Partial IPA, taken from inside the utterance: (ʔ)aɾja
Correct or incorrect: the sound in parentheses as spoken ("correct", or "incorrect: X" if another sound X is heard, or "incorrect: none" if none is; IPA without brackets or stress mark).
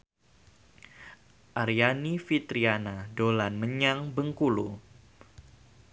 correct